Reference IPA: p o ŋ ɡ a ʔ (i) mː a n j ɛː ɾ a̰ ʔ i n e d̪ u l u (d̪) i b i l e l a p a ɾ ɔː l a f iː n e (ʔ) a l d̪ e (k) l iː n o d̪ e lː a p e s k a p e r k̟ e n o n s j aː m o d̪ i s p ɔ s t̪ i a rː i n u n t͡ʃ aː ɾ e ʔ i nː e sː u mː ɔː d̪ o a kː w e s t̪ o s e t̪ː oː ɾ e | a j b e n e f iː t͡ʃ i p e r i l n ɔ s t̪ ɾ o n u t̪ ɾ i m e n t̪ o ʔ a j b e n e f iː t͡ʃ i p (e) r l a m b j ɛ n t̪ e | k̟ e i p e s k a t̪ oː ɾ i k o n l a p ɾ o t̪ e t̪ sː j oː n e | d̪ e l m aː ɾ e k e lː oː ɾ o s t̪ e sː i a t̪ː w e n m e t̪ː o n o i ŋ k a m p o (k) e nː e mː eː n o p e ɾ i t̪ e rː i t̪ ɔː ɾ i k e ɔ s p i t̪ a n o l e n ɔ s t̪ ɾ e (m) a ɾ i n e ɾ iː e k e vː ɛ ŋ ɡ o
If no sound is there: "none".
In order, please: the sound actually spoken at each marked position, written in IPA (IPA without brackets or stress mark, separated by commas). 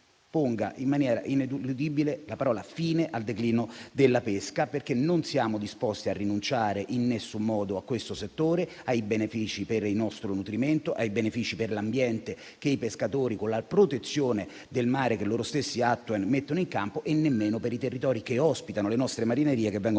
i, d̪, ʔ, k, e, ʔ, m